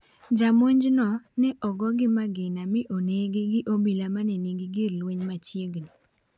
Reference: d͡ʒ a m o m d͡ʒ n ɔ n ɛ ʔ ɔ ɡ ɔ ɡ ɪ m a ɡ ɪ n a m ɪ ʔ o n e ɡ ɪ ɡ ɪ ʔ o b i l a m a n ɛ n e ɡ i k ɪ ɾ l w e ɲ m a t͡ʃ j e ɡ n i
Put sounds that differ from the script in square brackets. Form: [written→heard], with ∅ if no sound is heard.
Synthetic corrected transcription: d͡ʒ a m o [m→ɲ] d͡ʒ n ɔ n ɛ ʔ ɔ ɡ ɔ ɡ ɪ m a ɡ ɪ n a m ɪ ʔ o n e ɡ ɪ ɡ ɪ ʔ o b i l a m a n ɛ n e ɡ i [k→ɡ] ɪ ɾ l w e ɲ m a t͡ʃ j e ɡ n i